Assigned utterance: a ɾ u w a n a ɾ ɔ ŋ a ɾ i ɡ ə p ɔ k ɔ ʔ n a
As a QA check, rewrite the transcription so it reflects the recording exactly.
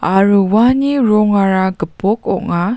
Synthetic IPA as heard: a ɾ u w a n i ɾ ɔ ŋ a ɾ a ɡ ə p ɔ k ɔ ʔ ŋ a